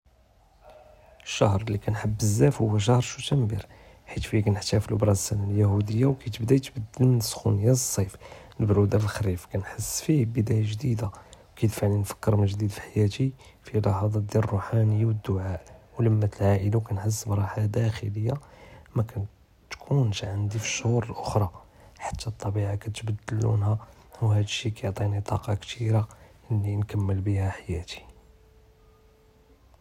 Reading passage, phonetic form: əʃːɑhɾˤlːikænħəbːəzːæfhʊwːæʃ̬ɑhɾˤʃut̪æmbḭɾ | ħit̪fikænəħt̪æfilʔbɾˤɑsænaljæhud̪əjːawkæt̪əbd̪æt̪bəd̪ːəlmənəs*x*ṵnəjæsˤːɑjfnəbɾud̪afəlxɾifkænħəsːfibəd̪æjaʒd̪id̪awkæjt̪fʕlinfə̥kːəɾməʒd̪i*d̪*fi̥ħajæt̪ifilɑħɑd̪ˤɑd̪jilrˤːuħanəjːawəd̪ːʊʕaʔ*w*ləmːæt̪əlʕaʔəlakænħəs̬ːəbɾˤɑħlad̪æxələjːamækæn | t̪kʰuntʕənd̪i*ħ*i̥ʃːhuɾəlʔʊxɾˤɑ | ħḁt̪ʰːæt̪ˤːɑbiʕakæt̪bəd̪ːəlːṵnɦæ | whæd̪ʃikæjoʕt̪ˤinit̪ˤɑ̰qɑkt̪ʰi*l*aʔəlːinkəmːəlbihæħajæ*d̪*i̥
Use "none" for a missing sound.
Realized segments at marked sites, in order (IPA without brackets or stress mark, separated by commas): x, d̪, w, f, ɾ, t̪